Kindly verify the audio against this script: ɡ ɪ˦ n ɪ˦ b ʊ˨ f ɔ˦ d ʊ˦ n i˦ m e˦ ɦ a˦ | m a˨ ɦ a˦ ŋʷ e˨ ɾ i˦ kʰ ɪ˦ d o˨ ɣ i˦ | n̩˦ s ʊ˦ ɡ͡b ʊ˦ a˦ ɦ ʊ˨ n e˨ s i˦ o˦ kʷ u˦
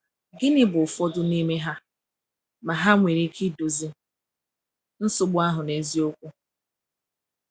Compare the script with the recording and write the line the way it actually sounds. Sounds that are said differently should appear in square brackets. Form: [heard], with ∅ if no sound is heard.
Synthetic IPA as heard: ɡ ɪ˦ n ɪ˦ b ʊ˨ f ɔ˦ d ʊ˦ n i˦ m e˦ ɦ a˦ | m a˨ ɦ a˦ ŋʷ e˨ ɾ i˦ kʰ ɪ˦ d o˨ [z] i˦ | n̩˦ s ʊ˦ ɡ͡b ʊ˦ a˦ ɦ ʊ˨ n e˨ [z] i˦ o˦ kʷ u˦